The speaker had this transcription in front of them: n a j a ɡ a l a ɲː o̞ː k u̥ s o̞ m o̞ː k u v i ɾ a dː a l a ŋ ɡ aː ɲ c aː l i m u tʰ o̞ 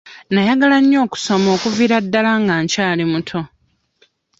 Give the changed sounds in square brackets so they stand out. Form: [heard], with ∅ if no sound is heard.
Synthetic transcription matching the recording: n a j a ɡ a l a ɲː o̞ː k u̥ s o̞ m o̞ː k u v i ɾ a dː a l a ŋ ɡ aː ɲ c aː l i m u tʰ o̞